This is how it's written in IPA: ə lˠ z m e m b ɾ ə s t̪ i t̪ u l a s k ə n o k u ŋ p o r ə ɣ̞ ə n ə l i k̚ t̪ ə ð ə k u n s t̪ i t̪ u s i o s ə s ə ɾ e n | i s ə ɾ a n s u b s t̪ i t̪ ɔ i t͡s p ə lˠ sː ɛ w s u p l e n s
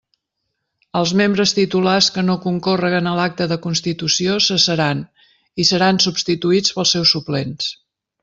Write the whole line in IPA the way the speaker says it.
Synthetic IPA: ə lˠ z m e m b ɾ ə s t̪ i t̪ u l a s k ə n o k u ŋ k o r ə ɣ̞ ə n ə l a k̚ t̪ ə ð ə k u n s t̪ i t̪ u s i o s ə s ə ɾ a n | i s ə ɾ a n s u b s t̪ i t̪ u i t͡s p ə lˠ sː ɛ w s u p l e n s